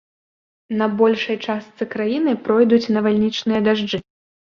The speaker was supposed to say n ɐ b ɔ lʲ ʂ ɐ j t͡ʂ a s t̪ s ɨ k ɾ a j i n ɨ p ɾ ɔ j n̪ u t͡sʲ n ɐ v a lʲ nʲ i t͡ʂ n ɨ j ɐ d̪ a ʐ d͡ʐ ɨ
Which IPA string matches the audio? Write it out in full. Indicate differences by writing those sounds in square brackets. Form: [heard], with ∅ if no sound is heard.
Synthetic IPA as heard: n ɐ b ɔ lʲ ʂ ɐ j t͡ʂ a s t̪ s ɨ k ɾ a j i n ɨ p ɾ ɔ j [d̪] u t͡sʲ n ɐ v a lʲ nʲ i t͡ʂ n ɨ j ɐ d̪ a ʐ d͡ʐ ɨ

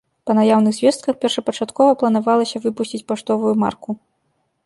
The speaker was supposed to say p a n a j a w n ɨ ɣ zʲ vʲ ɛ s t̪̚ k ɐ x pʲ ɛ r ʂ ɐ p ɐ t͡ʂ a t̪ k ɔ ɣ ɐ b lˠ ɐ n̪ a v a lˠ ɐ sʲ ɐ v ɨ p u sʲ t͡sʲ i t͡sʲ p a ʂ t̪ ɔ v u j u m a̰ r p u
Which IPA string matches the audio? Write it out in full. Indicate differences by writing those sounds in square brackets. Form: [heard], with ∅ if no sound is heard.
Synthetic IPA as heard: p [ɐ] n a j a w n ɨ ɣ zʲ vʲ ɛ s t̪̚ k ɐ x pʲ ɛ r ʂ ɐ p ɐ t͡ʂ a t̪ k ɔ [v] ɐ [p] lˠ ɐ n̪ a v a lˠ ɐ sʲ ɐ v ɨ p u sʲ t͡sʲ i t͡sʲ p a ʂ t̪ ɔ v u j u m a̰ r [k] u

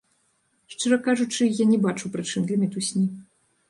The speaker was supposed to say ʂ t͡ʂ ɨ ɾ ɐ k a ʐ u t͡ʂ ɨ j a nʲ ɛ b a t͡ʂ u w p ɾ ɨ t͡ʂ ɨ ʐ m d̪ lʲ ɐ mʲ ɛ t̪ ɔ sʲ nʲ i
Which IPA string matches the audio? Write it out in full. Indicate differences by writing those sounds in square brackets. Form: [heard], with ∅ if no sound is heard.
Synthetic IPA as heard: ʂ t͡ʂ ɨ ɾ ɐ k a ʐ u t͡ʂ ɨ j a nʲ ɛ b a t͡ʂ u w p ɾ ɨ t͡ʂ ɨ [∅] m d̪ lʲ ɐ mʲ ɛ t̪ [u] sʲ nʲ i

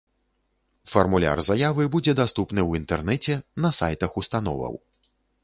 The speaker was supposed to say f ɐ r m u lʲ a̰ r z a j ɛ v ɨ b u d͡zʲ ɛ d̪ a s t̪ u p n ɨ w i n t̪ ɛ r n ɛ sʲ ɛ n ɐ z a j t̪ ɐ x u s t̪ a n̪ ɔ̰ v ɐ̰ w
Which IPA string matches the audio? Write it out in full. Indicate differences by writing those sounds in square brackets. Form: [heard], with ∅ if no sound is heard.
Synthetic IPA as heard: f ɐ r m u lʲ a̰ r z a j [a] v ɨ b u d͡zʲ ɛ d̪ a s t̪ u p n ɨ w i n t̪ ɛ r n ɛ [t͡sʲ] ɛ n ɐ [s] a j t̪ ɐ x u s t̪ a n̪ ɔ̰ v ɐ̰ w

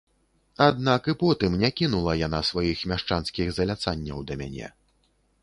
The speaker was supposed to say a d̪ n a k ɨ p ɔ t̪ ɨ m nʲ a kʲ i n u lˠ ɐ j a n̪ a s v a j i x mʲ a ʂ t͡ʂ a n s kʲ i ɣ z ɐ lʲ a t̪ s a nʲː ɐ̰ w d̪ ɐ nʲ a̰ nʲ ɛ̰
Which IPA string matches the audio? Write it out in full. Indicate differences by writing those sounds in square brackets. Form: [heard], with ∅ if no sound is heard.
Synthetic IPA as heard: a d̪ n a k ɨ p ɔ t̪ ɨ m nʲ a kʲ i n u lˠ ɐ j a n̪ a s v a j i x mʲ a ʂ t͡ʂ a n s kʲ i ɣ z ɐ lʲ a t̪ s a nʲː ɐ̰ w d̪ ɐ [mʲ] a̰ nʲ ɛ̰

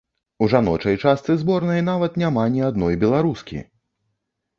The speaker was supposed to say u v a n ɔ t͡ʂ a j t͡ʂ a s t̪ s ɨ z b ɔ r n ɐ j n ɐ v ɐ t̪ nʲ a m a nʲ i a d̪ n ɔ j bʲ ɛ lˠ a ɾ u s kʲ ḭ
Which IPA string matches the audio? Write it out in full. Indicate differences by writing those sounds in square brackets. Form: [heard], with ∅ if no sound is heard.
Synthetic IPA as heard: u [ʐ] a n ɔ t͡ʂ [ɐ] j t͡ʂ a s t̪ s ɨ z b ɔ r n ɐ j n [a] v ɐ t̪ nʲ a m a nʲ i a d̪ n ɔ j bʲ ɛ lˠ a ɾ u s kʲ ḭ

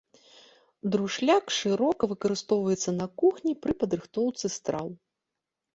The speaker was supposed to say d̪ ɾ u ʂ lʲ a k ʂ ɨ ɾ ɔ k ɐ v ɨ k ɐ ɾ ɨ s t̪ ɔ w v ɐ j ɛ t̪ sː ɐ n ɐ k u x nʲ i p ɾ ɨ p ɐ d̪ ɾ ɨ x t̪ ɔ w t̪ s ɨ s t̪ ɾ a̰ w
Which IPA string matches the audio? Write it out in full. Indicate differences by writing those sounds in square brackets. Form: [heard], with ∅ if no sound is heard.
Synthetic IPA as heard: d̪ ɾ u ʂ lʲ a k ʂ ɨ ɾ ɔ k ɐ v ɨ k ɐ ɾ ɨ s t̪ ɔ w v ɐ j ɛ t̪ sː ɐ n ɐ k u x nʲ i p ɾ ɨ p ɐ d̪ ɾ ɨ x t̪ ɔ w t̪ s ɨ s t̪ ɾ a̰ w

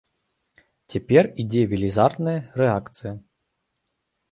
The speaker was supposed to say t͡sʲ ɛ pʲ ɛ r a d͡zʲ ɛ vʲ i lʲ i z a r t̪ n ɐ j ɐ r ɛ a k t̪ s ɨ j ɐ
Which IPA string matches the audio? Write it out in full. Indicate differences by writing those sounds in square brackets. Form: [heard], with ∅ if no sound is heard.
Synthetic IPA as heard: t͡sʲ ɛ pʲ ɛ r [i] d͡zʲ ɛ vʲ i lʲ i z a r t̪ n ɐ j ɐ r ɛ a k t̪ s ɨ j ɐ

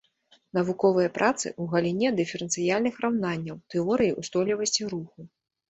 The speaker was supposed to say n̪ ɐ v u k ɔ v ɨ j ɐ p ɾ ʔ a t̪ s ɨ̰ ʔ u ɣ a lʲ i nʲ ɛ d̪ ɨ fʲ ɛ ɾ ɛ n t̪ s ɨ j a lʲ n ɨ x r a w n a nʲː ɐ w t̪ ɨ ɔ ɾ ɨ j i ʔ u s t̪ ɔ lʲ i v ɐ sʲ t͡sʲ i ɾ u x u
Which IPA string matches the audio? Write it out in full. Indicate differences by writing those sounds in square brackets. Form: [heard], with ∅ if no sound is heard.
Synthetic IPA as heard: n̪ ɐ v u k ɔ v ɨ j ɐ p ɾ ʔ a t̪ s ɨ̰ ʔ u ɣ [ɐ] lʲ i nʲ ɛ d̪ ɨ fʲ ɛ ɾ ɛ n t̪ s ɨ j a lʲ n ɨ x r a w n a nʲː ɐ w t̪ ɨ ɔ ɾ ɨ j i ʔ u s t̪ ɔ lʲ i v ɐ sʲ t͡sʲ i ɾ u x u

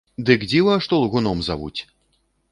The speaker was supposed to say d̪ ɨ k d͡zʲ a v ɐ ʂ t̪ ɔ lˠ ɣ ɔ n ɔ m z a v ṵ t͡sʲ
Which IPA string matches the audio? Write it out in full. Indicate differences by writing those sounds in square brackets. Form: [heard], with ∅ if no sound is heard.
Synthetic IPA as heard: d̪ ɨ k d͡zʲ [i] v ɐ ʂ t̪ ɔ lˠ ɣ [u] n ɔ m z a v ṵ t͡sʲ

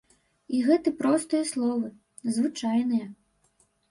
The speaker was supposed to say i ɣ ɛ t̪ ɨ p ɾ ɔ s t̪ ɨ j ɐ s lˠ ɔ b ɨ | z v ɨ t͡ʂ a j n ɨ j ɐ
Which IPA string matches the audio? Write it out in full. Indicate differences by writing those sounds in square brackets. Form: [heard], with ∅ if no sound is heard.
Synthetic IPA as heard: i ɣ ɛ t̪ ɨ p ɾ ɔ s t̪ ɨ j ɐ s lˠ ɔ [v] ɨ | z v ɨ t͡ʂ a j n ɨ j ɐ

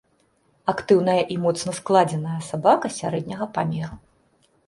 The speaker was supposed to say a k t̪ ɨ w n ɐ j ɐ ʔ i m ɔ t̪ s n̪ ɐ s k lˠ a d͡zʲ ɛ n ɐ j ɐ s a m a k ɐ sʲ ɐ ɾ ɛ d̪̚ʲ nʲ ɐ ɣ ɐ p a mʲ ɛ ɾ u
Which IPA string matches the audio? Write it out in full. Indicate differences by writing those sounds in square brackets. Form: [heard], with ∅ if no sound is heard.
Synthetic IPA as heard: a k t̪ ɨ w n ɐ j ɐ ʔ i m ɔ t̪ s n̪ ɐ s k lˠ a d͡zʲ ɛ n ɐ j ɐ s a [b] a k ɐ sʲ [a] ɾ ɛ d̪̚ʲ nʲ ɐ ɣ ɐ p a mʲ ɛ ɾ u

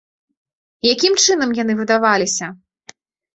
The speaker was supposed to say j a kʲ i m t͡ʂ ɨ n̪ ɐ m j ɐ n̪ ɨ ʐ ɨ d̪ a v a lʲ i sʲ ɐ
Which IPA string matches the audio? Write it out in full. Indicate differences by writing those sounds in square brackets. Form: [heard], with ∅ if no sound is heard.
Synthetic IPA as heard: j a kʲ i m t͡ʂ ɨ n̪ ɐ m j [a] n̪ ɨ [v] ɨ d̪ a v a lʲ i sʲ ɐ

